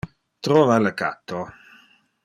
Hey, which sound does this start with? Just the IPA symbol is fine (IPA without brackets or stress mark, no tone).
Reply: t̪